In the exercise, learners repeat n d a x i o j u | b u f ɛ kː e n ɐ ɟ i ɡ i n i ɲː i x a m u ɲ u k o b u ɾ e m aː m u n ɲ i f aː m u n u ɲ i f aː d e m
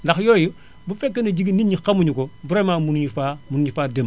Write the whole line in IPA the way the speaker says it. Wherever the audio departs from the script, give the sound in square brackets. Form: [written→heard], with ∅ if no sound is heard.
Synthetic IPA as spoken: n d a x [i→j] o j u | b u f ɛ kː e n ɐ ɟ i ɡ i n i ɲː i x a m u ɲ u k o b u ɾ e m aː m u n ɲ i f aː m u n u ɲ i f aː d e m